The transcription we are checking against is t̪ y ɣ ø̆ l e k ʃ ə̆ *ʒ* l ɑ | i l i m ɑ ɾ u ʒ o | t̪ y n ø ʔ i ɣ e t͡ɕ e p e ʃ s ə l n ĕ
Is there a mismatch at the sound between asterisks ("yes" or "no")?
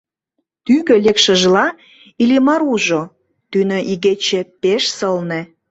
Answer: no